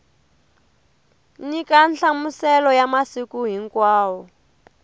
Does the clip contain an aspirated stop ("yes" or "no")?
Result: no